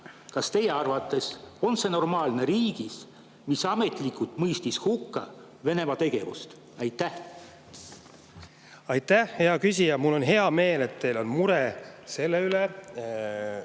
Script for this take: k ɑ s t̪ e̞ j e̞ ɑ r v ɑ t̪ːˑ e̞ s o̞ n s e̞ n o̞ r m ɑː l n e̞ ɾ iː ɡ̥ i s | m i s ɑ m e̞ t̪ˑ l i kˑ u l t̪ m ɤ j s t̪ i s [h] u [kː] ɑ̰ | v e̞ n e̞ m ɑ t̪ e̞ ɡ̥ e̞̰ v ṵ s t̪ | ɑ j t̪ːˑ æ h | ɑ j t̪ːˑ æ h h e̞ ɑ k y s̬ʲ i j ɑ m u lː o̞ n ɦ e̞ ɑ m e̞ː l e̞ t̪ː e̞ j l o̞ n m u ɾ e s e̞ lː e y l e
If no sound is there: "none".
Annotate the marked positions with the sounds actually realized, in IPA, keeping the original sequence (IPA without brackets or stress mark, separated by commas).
h, kː